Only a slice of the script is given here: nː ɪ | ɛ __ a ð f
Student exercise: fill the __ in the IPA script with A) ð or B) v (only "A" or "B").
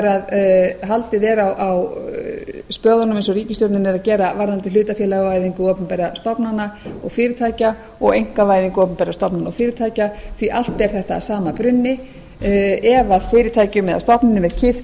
B